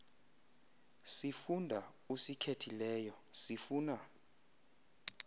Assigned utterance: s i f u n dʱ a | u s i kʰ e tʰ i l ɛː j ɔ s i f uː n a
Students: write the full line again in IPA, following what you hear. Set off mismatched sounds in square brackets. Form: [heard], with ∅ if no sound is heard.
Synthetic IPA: s i f u n dʱ a | u s i kʰ e tʰ i l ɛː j ɔ s i f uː n a

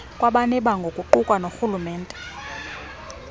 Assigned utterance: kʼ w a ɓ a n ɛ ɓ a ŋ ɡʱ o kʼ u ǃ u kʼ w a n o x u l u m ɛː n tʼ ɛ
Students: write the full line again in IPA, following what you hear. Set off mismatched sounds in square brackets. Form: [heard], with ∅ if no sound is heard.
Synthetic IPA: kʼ w a ɓ a n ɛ ɓ a ŋ ɡʱ o kʼ u ǃ u kʼ w a n o x u l u m ɛː n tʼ ɛ

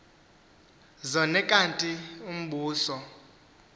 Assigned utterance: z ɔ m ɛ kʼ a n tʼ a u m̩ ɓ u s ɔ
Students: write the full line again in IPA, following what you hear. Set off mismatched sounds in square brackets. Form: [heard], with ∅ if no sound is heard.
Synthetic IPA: z ɔ [n] ɛ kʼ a n tʼ [i] u m̩ ɓ [uː] s ɔ

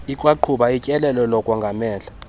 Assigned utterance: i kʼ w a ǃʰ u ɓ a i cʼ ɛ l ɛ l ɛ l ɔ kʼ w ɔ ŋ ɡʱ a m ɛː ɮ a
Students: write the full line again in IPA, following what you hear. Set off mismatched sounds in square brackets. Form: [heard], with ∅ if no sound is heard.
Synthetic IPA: i kʼ w a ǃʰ u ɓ a i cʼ ɛ l ɛ l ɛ l ɔ kʼ w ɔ ŋ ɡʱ a m ɛː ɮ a

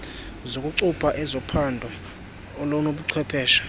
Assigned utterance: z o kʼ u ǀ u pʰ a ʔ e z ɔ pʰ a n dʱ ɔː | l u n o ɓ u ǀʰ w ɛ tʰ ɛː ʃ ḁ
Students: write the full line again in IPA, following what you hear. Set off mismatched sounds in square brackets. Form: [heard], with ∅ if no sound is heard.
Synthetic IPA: z o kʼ u ǀ u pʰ a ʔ [ɛ] z ɔ pʰ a n dʱ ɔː | l [ɔ] n o ɓ u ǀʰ w ɛ [pʰ] ɛː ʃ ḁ

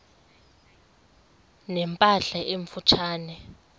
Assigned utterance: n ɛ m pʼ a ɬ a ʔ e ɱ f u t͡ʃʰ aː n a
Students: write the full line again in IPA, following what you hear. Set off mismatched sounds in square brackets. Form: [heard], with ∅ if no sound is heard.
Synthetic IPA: n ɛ m pʼ a ɬ a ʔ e ɱ f u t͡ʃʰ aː n [ɛ]

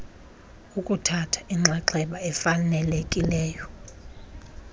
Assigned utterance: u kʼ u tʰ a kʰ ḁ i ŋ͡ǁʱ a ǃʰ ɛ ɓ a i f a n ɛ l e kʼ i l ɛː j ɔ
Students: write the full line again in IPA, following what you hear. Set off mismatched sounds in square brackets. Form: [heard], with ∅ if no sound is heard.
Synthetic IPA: u kʼ u tʰ a [tʰ] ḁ i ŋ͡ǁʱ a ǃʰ ɛ ɓ a [ɛ] f a n ɛ l e kʼ i l ɛː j ɔ

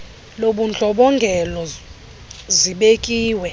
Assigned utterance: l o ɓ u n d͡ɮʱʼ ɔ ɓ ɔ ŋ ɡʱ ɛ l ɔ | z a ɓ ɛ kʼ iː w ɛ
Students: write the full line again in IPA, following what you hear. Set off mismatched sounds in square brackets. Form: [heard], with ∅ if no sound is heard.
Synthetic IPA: l o ɓ u n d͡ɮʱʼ ɔ ɓ ɔ ŋ ɡʱ ɛ l ɔ | z [i] ɓ [e] kʼ iː w ɛ

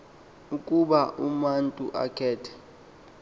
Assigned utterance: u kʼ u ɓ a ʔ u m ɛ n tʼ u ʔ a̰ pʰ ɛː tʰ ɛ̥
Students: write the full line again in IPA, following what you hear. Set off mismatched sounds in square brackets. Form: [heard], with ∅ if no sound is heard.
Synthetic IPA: u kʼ u ɓ a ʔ u m [a] n tʼ u ʔ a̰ [kʰ] ɛː tʰ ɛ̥

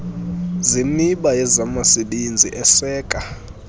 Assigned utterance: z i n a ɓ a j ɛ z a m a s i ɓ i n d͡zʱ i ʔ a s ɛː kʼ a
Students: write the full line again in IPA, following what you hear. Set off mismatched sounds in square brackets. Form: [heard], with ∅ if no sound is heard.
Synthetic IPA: z i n [i] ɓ a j ɛ z a m a s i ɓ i n d͡zʱ i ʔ [ɛ] s ɛː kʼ a

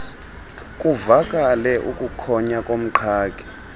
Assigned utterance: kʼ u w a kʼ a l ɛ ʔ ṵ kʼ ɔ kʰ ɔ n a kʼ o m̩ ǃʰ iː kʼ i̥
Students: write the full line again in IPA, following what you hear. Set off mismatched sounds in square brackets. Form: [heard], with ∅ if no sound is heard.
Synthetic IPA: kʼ u [v] a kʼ a l ɛ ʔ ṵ kʼ [u] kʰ ɔ [ɲ] a kʼ o m̩ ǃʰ [aː] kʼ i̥

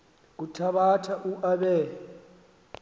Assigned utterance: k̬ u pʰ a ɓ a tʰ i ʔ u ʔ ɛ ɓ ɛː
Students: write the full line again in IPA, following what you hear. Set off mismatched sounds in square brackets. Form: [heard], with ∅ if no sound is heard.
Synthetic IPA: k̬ u [tʰ] a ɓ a tʰ [a] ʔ u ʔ [a] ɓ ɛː

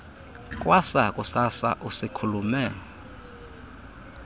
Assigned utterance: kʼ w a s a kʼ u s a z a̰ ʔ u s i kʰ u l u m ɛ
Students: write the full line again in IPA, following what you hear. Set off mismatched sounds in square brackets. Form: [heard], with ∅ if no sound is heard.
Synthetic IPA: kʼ w a s a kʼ u s a [s] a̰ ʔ u s i kʰ u l u m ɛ

